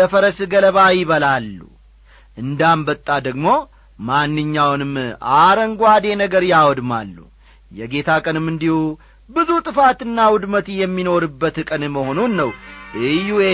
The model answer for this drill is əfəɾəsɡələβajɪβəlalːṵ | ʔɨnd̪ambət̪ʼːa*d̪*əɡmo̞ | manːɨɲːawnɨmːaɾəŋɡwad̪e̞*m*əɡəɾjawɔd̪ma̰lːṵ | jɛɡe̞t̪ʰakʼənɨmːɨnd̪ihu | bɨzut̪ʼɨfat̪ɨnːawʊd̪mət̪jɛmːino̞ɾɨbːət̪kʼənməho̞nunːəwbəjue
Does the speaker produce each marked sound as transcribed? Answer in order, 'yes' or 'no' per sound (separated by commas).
yes, no